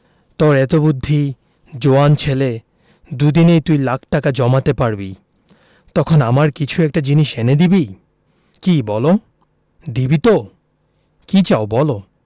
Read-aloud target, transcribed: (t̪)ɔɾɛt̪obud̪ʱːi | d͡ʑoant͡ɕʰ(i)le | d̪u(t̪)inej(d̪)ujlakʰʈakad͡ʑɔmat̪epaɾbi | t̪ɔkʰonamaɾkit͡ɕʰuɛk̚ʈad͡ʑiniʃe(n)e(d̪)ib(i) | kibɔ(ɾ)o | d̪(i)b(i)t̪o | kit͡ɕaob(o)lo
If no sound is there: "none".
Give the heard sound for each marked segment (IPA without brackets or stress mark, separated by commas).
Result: t̪, e, d̪, t̪, n, d̪, i, l, i, i, ɔ